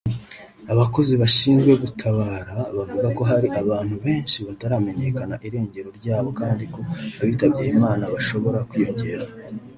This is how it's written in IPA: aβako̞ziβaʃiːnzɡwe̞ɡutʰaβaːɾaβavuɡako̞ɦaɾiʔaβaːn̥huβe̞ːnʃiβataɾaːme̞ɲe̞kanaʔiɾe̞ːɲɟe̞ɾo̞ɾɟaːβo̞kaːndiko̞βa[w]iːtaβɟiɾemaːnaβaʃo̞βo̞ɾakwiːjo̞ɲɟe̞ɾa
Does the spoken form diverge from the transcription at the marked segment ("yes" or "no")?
yes